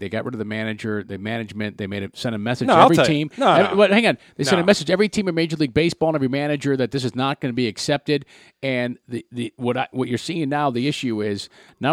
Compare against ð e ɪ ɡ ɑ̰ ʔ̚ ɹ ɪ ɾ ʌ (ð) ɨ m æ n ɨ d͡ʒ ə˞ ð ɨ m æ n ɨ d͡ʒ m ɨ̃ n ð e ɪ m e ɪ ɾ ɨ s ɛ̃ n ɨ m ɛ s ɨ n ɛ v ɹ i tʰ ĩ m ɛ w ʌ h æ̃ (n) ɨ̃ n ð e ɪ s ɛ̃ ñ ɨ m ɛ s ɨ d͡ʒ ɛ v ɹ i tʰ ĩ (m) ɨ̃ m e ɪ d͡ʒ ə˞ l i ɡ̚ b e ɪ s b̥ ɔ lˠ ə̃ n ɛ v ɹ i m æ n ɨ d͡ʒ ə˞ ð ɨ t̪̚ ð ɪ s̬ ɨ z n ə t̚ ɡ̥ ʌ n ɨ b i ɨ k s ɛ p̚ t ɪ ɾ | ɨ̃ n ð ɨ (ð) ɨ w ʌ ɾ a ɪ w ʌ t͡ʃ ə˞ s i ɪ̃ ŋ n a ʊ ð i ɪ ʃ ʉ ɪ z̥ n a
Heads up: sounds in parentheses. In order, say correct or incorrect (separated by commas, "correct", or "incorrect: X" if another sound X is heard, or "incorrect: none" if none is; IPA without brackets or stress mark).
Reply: correct, incorrect: ŋ, correct, correct